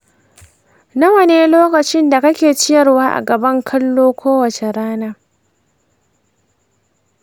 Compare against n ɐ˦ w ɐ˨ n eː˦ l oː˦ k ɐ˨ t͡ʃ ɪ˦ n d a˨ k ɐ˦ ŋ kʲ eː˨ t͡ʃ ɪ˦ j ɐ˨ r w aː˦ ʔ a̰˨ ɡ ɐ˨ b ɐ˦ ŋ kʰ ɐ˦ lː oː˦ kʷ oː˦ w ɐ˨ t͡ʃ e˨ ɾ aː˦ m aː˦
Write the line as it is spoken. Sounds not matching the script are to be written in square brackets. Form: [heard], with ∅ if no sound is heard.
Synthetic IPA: n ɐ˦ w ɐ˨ n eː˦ l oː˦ k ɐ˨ t͡ʃ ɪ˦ n d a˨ k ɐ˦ [∅] kʲ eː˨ t͡ʃ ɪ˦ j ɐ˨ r w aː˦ ʔ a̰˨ ɡ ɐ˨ b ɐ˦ ŋ kʰ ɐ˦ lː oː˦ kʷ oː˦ w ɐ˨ t͡ʃ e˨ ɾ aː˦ [n] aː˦